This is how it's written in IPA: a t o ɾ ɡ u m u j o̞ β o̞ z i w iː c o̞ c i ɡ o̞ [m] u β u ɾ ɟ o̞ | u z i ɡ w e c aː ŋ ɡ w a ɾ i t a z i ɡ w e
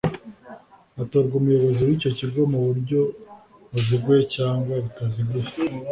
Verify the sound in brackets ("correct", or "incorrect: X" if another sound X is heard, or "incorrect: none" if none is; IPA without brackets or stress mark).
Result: correct